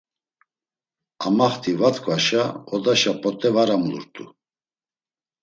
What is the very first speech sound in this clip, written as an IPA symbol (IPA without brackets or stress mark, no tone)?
a